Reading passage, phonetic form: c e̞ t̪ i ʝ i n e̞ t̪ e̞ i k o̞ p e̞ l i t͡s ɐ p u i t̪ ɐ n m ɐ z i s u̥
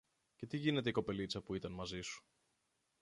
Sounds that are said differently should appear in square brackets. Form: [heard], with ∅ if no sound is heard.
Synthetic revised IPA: c e̞ t̪ i ʝ i n e̞ t̪ e̞ i k o̞ p e̞ l i t͡s ɐ p u i t̪ ɐ n m ɐ z i s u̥